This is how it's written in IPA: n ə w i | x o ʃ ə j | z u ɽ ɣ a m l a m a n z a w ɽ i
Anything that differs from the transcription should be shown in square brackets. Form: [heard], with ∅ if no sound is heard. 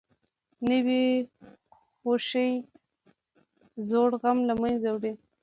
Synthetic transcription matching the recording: n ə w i | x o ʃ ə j | z [o] ɽ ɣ a m l a m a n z a w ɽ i